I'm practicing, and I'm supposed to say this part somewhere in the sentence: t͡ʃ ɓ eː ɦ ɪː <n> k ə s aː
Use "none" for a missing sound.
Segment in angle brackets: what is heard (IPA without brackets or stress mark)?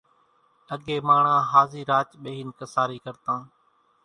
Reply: n